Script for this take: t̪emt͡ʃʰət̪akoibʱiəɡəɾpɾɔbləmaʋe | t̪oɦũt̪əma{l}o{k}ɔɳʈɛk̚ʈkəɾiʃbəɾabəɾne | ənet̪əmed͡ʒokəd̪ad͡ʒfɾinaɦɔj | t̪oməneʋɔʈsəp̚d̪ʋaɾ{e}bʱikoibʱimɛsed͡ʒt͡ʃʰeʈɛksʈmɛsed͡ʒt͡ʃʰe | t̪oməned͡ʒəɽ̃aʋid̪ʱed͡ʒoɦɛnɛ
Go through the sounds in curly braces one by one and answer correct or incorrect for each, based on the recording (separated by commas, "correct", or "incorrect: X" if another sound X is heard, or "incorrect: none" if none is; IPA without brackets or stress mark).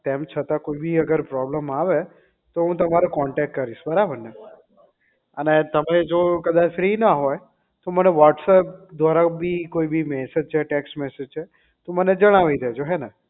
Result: incorrect: ɾ, correct, incorrect: a